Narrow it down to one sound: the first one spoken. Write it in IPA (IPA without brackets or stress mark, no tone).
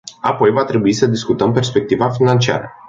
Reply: a